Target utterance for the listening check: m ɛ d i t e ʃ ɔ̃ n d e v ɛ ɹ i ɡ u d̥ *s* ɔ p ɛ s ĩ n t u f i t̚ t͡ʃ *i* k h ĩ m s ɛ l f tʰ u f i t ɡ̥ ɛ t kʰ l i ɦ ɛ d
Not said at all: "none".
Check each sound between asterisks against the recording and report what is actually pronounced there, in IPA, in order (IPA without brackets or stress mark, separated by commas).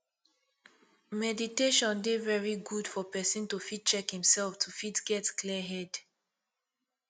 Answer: f, ɛ